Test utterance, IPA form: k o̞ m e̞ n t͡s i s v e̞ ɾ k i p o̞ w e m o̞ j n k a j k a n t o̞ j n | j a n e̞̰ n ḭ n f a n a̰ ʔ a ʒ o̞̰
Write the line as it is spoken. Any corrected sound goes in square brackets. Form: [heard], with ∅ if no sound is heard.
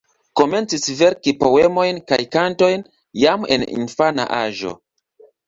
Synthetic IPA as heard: k o̞ m e̞ n t͡s i s v e̞ ɾ k i p o̞ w e m o̞ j n k a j k a n t o̞ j n | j a [m] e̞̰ n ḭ n f a n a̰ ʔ a ʒ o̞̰